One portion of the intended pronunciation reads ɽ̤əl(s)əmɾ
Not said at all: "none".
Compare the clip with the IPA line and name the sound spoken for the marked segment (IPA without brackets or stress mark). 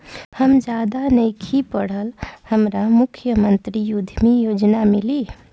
h